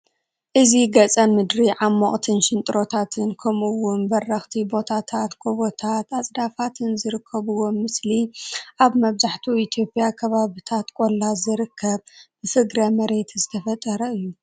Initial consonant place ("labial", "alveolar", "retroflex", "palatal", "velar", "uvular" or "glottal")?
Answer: glottal